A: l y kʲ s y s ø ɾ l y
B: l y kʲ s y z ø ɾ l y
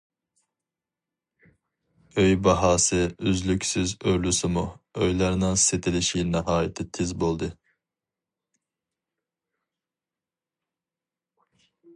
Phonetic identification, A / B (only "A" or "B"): B